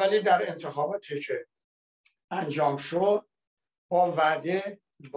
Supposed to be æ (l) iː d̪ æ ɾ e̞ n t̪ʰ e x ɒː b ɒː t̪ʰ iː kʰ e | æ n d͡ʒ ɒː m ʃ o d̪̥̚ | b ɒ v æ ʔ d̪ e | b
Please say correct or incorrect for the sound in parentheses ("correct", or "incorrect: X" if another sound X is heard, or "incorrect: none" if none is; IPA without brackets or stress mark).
correct